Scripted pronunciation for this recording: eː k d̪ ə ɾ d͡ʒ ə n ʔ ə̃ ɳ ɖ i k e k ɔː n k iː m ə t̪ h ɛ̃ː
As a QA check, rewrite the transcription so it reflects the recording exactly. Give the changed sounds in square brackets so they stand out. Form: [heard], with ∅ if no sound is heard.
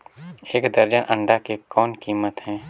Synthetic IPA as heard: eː k d̪ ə ɾ d͡ʒ ə n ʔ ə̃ ɳ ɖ [a] k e k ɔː n k iː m ə t̪ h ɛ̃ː